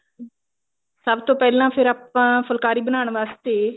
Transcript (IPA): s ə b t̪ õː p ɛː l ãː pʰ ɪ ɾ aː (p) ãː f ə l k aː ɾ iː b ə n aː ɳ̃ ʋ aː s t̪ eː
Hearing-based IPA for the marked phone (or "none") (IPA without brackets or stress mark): p